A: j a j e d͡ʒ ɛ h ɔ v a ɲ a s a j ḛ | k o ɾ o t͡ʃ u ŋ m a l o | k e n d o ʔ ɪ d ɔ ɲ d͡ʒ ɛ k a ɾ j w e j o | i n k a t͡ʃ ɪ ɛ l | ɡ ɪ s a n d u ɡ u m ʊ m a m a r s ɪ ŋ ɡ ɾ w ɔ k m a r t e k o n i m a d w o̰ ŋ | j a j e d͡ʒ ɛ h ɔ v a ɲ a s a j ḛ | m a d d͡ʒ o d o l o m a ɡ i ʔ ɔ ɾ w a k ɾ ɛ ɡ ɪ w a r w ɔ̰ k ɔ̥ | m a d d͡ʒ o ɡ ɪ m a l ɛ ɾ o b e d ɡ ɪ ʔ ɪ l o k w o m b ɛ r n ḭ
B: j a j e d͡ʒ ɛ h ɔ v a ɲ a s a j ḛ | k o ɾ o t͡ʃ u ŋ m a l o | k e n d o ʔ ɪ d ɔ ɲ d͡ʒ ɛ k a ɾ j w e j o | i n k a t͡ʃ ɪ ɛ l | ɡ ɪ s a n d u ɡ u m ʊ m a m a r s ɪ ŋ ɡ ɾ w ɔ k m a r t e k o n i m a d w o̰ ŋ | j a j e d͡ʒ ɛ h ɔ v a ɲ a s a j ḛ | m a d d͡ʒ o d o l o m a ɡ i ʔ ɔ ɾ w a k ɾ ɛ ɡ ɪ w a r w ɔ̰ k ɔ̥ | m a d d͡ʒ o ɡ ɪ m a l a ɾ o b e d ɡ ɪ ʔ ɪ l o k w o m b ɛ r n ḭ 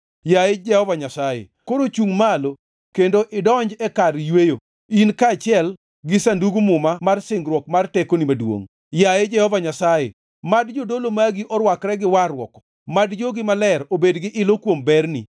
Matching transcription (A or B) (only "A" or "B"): A